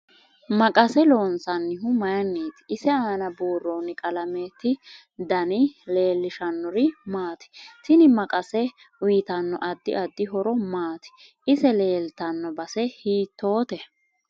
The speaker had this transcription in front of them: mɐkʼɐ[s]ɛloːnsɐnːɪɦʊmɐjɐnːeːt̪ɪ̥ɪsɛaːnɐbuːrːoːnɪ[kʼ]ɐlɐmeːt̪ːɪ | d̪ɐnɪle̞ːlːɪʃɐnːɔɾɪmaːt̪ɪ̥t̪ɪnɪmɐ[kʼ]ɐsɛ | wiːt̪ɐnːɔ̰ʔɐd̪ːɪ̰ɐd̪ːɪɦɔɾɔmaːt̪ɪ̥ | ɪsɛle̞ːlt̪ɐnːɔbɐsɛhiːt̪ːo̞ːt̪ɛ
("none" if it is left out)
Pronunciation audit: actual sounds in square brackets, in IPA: s, kʼ, kʼ

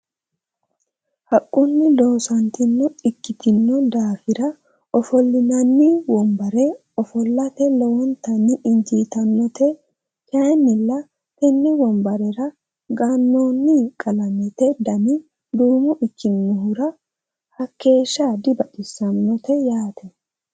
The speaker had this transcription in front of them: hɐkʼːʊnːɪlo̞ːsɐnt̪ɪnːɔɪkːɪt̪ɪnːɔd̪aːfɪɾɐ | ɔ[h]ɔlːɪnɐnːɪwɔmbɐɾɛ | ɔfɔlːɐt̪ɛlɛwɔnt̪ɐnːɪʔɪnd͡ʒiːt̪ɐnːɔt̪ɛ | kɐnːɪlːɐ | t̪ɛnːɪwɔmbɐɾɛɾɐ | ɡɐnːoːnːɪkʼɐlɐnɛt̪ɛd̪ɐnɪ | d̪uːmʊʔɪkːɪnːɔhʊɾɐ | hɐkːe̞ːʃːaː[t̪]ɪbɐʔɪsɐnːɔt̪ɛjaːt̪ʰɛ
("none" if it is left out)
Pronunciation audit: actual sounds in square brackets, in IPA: f, d̪

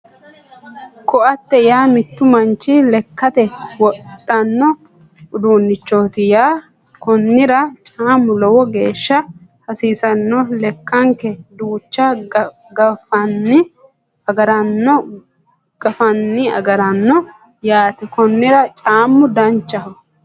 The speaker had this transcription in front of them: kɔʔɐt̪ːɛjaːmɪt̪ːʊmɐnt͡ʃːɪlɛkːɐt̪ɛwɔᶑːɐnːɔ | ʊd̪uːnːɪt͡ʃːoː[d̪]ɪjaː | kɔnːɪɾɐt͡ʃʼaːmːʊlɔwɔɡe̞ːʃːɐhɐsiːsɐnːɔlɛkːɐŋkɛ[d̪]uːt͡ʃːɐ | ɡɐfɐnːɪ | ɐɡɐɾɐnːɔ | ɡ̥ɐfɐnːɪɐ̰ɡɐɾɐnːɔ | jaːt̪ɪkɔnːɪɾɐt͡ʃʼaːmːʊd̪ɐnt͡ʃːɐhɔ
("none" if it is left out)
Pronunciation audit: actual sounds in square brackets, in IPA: t̪, d̪

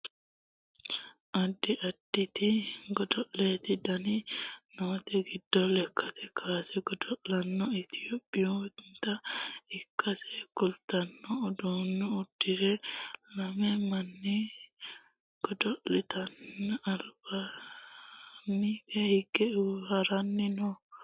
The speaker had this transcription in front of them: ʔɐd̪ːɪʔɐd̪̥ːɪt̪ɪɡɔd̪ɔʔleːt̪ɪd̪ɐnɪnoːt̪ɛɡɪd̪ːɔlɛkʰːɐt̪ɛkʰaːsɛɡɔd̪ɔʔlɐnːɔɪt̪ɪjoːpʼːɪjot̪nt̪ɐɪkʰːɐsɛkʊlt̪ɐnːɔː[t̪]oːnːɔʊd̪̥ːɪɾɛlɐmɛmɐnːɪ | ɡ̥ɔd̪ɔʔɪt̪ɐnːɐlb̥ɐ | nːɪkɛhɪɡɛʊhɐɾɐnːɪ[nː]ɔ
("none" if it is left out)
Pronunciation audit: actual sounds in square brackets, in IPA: d̪, n

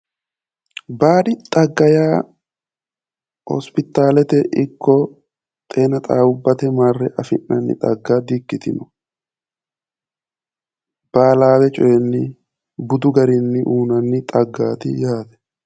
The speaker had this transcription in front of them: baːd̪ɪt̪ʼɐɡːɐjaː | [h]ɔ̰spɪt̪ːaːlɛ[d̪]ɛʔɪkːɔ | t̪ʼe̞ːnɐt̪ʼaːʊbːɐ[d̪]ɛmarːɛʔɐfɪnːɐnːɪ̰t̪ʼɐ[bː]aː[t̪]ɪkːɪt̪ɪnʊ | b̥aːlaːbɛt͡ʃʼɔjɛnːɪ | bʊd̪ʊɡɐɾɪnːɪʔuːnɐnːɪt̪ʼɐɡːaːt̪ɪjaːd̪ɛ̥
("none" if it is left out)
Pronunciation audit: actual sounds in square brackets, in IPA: h, t̪, t̪, ɡː, d̪

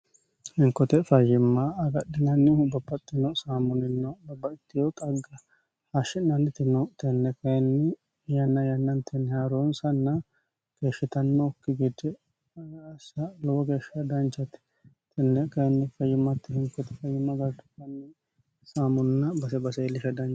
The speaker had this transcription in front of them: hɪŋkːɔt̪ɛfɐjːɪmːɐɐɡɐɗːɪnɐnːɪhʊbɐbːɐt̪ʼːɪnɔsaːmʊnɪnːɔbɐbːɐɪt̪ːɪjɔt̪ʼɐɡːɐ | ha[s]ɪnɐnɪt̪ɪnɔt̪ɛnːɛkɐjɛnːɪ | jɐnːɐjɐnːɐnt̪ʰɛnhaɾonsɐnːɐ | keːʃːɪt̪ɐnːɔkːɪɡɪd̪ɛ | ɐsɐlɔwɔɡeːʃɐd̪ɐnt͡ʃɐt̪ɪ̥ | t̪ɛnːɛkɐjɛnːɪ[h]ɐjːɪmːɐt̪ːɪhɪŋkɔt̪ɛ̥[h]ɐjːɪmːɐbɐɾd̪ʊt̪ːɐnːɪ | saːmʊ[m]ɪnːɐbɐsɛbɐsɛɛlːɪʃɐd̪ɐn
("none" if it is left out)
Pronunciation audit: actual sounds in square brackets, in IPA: ʃ, f, f, n

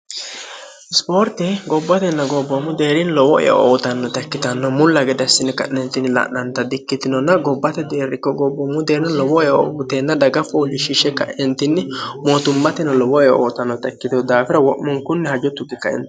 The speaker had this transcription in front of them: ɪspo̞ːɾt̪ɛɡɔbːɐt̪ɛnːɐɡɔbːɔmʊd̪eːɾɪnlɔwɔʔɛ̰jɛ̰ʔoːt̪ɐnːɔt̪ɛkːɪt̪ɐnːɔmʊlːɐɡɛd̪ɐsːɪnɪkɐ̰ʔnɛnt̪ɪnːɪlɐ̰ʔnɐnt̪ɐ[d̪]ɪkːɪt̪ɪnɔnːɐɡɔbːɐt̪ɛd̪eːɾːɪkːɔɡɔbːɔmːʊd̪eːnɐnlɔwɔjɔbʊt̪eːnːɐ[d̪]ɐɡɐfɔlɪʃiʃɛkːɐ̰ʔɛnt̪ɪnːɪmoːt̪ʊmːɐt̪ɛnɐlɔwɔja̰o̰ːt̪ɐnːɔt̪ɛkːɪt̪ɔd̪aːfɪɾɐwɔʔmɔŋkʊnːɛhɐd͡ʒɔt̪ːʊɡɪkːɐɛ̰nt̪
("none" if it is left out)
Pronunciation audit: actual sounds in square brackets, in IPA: d̪, d̪

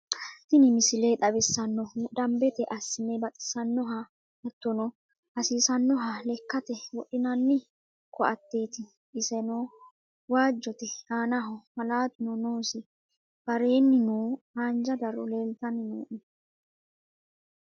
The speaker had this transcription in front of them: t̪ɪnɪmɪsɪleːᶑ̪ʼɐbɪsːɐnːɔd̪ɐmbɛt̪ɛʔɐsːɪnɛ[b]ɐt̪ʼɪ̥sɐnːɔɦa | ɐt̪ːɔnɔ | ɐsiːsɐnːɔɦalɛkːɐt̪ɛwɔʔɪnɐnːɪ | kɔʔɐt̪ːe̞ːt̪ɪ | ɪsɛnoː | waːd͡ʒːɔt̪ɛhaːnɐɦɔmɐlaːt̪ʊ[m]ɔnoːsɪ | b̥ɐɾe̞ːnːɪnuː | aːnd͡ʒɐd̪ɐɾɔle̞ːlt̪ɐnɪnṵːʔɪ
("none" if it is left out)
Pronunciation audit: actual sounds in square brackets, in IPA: b, n

